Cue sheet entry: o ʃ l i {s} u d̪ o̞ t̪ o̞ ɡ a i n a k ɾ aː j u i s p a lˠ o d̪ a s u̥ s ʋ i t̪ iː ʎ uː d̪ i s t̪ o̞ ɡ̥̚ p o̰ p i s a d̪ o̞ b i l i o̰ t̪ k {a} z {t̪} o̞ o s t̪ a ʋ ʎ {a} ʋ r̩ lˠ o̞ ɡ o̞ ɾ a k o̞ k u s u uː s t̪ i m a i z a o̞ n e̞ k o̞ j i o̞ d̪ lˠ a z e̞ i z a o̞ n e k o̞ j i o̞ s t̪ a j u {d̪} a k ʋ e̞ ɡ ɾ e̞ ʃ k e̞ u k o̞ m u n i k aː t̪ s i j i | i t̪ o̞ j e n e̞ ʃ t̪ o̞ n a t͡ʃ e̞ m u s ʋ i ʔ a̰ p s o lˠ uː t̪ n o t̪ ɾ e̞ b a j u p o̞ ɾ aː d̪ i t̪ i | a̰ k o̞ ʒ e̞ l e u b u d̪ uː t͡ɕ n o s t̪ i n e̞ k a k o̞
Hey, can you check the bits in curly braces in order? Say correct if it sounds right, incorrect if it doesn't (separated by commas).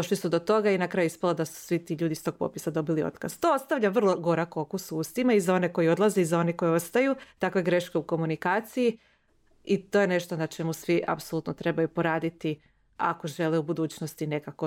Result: correct, correct, correct, correct, incorrect